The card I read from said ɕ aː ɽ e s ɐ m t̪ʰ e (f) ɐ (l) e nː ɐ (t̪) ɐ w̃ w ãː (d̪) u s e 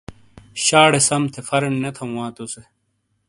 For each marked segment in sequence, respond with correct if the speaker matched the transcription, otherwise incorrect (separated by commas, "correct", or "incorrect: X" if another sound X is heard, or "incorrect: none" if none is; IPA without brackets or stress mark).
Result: correct, incorrect: ɾ, incorrect: t̪ʰ, incorrect: t̪